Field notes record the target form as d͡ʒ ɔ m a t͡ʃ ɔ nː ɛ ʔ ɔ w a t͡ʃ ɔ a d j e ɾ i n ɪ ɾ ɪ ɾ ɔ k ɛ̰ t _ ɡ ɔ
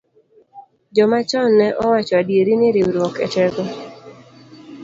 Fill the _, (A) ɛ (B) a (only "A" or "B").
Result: A